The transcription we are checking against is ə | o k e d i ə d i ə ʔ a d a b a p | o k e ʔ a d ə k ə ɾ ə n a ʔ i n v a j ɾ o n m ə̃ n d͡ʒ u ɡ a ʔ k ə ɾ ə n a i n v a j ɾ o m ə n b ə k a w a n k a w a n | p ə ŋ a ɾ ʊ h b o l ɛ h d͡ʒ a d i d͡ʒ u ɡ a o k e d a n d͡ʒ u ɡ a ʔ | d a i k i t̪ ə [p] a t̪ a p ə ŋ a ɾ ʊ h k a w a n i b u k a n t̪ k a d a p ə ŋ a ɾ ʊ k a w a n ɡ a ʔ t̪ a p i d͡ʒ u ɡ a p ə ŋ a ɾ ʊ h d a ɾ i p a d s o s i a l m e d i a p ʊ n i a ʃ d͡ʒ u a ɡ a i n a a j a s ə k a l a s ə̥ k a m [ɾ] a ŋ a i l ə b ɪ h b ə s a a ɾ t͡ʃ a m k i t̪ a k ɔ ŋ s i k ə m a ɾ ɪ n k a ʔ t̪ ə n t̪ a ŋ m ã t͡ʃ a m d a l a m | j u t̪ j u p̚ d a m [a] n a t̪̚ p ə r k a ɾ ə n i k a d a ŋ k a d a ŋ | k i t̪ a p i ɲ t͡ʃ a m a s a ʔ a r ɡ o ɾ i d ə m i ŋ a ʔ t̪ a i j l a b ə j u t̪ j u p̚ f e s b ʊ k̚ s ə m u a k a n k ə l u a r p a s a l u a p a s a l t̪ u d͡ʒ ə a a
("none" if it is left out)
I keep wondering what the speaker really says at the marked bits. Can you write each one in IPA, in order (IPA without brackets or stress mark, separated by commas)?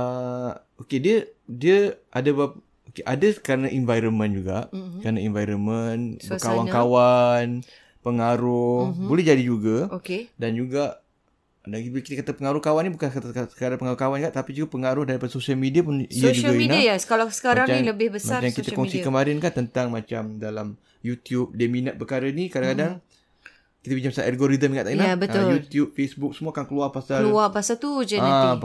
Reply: k, ɾ, i